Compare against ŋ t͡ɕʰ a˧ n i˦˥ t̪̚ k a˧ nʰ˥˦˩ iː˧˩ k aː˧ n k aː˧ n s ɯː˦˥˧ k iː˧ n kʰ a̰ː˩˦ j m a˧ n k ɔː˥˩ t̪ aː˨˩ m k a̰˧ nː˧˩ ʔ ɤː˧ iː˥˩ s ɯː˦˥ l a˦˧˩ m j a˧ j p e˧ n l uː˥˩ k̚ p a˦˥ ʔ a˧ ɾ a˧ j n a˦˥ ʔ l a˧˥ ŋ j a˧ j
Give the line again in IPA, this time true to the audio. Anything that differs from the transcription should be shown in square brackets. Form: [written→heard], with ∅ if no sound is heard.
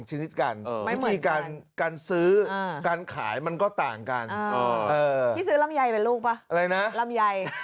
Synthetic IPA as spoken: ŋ t͡ɕʰ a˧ n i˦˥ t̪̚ k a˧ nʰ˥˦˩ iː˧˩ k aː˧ n k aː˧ n s ɯː˦˥˧ k [iː˧→aː˧] n kʰ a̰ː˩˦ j m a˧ n k ɔː˥˩ t̪ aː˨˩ [m→ŋ] k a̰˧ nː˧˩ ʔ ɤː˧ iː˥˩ s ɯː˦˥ l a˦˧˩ m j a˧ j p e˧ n l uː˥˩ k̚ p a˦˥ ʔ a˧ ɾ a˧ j n a˦˥ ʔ l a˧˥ [ŋ→m] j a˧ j